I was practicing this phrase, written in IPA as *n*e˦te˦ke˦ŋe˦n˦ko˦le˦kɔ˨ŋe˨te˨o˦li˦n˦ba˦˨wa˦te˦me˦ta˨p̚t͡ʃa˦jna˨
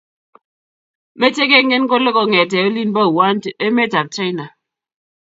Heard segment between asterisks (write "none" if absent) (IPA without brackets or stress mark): m